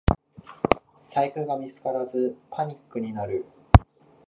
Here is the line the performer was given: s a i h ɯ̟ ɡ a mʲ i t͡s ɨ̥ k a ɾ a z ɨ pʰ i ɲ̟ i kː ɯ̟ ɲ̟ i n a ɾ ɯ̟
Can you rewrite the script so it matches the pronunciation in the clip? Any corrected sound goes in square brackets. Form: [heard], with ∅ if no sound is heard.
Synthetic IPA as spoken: s a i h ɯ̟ ɡ a mʲ i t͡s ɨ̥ k a ɾ a z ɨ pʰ [a] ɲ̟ i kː ɯ̟ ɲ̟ i n a ɾ ɯ̟